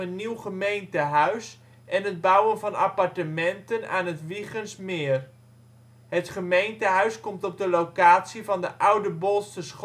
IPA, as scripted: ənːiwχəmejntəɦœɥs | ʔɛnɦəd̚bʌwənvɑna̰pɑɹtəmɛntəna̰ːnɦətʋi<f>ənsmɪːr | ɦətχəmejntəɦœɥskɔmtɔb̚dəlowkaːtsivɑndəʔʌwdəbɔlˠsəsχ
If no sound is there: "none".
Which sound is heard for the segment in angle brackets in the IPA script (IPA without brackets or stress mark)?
χ